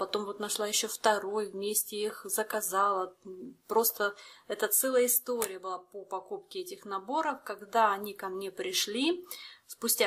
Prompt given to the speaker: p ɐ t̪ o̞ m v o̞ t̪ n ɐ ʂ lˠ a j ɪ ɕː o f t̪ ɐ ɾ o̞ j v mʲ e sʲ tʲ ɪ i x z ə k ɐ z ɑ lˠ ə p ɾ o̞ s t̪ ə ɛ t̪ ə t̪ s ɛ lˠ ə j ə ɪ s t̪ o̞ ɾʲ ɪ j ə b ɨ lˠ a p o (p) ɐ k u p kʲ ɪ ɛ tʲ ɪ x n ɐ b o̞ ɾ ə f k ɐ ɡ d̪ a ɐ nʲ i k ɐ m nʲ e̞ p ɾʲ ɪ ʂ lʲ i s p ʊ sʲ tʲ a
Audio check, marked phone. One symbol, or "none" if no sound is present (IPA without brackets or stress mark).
p